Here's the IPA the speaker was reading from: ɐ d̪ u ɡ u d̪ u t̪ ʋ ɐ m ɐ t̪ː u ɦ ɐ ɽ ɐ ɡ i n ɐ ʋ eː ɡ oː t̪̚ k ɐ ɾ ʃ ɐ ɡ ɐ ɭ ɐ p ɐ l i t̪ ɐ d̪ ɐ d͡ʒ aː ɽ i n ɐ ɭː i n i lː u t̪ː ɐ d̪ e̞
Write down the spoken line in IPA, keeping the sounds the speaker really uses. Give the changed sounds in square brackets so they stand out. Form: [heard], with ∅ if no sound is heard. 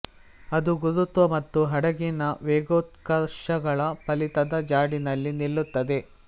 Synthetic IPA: ɐ d̪ u ɡ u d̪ u t̪ ʋ ɐ m ɐ t̪ː u ɦ ɐ ɽ ɐ ɡ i n ɐ ʋ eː ɡ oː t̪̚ k ɐ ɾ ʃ ɐ ɡ ɐ ɭ ɐ p ɐ l i t̪ ɐ d̪ ɐ d͡ʒ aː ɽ i n ɐ [lː] i n i lː u t̪ː ɐ d̪ e̞